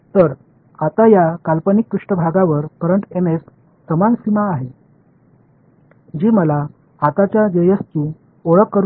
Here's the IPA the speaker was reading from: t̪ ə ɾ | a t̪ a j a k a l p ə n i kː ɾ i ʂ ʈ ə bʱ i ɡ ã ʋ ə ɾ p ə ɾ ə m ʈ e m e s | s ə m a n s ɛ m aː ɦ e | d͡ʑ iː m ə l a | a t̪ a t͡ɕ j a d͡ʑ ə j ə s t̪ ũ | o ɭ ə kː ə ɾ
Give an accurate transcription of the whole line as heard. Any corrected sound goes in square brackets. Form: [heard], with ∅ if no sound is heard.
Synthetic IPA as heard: t̪ ə ɾ | a t̪ a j a k a l p ə n i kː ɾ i ʂ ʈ ə bʱ [a] ɡ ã ʋ ə ɾ p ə ɾ ə [ɳ] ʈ e m e s | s ə m a n s [i] m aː ɦ e | d͡ʑ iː m ə l a | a t̪ a t͡ɕ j a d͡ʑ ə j ə s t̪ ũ | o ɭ ə kː ə ɾ